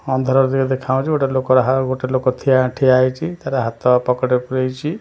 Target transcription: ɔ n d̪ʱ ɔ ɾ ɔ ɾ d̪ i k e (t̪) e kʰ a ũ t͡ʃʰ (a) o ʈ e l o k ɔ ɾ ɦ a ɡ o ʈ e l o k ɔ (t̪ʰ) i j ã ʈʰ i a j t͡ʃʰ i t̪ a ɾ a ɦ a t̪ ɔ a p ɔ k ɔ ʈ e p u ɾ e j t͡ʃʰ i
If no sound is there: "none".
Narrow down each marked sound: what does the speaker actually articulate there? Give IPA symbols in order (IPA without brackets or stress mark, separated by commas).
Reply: d̪, i, t̪ʰ